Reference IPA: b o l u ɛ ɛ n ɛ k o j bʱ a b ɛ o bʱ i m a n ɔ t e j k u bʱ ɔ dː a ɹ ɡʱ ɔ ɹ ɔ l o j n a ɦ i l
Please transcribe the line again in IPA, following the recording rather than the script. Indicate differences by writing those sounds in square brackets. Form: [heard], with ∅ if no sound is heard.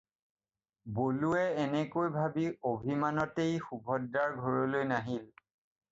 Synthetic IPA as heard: b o l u ɛ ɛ n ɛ k o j bʱ a b [i] o bʱ i m a n ɔ t e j [x] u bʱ ɔ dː a ɹ ɡʱ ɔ ɹ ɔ l o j n a ɦ i l